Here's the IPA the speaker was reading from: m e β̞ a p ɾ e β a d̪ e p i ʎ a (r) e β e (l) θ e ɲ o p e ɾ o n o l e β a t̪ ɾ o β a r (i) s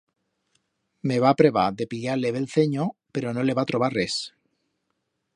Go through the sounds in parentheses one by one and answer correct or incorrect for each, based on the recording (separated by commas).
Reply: incorrect, correct, incorrect